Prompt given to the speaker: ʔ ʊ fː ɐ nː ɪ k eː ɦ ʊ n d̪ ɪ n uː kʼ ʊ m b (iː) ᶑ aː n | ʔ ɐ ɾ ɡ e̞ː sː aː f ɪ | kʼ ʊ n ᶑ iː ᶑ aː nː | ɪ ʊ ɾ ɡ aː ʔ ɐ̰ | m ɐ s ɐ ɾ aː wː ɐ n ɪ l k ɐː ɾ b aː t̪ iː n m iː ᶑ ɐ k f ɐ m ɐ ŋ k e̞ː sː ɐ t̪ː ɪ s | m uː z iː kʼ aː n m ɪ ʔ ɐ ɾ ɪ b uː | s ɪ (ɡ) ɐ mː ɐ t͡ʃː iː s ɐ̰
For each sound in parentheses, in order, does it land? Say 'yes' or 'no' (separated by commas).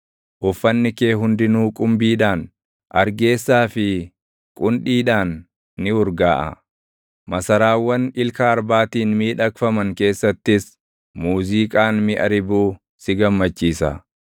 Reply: yes, yes